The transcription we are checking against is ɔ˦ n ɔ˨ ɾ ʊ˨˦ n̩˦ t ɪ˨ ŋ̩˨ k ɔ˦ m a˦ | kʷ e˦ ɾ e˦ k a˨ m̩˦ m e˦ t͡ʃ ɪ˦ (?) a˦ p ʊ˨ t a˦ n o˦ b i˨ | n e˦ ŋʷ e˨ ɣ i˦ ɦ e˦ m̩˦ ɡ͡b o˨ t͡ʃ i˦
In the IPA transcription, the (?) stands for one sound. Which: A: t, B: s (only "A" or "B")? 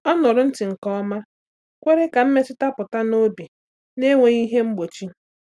A